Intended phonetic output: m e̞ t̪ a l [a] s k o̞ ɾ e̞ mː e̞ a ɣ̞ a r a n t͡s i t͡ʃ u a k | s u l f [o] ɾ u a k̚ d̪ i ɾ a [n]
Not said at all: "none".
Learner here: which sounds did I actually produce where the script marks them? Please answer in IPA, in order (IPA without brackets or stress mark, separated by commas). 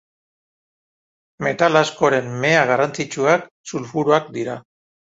a, u, none